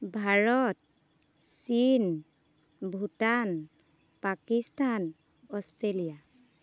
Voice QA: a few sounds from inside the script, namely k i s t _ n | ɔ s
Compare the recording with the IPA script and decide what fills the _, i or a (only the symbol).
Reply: a